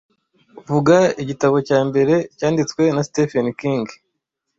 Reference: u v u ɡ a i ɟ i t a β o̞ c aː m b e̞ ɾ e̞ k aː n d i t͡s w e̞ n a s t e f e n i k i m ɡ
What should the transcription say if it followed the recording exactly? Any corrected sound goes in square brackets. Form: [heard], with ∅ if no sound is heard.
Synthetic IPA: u v u ɡ a i ɟ i t a β o̞ c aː m b e̞ ɾ e̞ [c] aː n d i t͡s w e̞ n a s t e f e n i k i [ŋ] ɡ